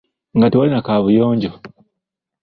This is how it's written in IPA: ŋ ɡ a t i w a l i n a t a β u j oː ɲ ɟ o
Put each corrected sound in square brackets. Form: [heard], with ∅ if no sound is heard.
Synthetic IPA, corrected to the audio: ŋ ɡ a t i w a l i n a [k] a β u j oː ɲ ɟ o